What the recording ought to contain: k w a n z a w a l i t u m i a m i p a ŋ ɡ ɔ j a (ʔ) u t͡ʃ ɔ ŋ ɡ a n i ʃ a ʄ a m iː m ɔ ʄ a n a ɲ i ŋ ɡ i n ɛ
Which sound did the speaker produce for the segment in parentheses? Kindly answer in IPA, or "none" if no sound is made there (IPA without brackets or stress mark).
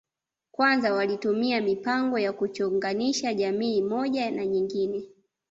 k